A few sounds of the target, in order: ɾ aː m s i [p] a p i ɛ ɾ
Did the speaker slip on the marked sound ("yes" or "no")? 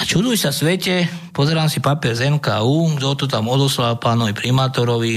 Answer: no